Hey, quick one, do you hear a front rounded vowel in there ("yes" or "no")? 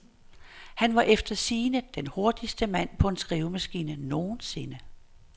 no